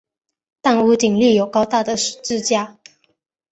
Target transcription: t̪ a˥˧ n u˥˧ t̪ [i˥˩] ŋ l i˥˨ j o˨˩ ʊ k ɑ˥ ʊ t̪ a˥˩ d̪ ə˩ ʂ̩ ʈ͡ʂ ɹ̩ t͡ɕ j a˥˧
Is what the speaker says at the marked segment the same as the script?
no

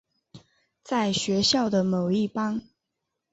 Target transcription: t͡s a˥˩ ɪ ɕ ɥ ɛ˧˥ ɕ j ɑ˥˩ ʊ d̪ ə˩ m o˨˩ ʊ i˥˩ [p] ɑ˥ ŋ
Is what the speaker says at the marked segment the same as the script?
yes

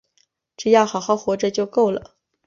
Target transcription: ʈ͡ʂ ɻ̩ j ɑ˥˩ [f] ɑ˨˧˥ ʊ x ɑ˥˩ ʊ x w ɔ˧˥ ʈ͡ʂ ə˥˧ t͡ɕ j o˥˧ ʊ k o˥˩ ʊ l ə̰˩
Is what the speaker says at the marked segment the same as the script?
no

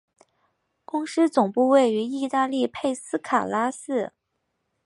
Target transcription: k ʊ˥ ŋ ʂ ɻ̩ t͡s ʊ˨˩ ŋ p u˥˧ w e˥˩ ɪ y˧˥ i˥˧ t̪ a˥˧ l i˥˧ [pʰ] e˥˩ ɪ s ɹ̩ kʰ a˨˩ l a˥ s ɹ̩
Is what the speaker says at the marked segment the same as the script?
yes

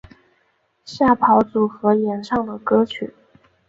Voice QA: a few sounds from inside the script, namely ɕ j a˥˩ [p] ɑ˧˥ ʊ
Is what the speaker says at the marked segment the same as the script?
no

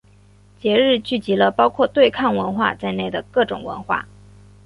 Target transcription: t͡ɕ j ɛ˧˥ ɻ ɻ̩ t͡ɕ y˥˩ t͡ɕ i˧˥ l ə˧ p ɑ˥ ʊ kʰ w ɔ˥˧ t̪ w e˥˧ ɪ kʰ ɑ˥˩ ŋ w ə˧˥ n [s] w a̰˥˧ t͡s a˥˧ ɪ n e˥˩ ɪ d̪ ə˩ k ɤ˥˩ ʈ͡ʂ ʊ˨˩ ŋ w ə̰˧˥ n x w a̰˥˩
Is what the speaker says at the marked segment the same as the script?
no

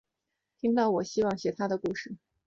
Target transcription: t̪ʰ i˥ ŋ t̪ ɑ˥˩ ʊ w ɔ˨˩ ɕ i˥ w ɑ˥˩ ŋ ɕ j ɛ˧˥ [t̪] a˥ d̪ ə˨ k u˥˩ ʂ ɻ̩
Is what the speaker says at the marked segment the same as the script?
no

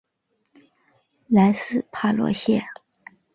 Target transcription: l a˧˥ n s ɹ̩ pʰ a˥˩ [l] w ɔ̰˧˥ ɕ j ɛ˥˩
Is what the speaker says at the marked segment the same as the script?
yes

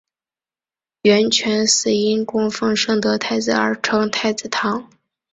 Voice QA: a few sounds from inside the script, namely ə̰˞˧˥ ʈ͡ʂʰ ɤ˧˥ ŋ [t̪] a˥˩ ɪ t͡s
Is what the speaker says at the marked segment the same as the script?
no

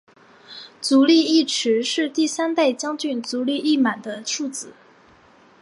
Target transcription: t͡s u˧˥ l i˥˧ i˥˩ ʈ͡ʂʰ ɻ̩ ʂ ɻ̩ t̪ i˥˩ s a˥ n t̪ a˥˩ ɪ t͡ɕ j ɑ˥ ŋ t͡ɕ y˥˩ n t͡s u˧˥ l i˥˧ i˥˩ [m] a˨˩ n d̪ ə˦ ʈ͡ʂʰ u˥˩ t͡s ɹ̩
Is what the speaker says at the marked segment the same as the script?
yes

